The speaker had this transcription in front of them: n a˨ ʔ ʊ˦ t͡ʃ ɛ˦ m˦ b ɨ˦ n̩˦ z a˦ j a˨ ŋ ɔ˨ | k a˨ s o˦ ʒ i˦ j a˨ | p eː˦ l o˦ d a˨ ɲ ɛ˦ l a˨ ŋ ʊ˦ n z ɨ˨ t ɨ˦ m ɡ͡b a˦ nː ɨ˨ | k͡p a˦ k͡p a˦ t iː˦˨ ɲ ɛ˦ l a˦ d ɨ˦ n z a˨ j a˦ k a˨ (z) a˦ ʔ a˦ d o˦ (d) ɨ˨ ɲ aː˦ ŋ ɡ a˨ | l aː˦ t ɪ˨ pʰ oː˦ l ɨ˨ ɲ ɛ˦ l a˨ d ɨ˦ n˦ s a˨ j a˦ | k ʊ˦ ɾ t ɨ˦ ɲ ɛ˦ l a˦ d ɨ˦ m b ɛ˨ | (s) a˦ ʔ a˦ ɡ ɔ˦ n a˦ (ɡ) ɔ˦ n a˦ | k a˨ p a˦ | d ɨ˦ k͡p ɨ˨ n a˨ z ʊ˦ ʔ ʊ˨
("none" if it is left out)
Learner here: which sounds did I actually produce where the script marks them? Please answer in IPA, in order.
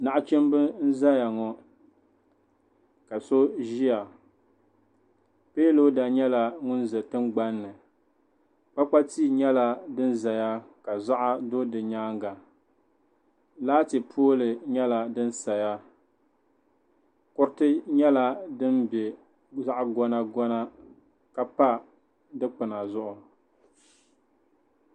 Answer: z, d, z, ɡ

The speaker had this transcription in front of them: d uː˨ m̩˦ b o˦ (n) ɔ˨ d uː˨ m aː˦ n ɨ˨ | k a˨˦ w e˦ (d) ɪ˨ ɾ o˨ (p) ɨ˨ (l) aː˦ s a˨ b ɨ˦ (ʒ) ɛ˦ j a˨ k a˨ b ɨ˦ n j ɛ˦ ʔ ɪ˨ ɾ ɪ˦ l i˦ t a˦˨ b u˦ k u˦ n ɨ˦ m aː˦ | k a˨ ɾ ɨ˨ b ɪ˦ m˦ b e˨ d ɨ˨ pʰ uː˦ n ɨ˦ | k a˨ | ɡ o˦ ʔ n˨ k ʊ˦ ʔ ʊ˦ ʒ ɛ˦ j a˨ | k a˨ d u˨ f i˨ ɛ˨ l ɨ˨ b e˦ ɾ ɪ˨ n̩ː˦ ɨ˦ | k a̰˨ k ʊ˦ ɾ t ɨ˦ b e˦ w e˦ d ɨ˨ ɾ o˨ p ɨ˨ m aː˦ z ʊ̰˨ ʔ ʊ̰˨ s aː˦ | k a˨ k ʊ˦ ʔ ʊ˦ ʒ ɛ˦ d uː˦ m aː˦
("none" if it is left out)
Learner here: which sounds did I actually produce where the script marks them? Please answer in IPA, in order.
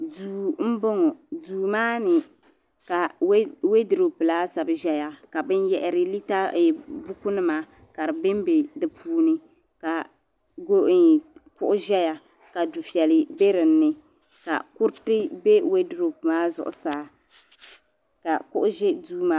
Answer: ŋ, d, p, l, ʒ

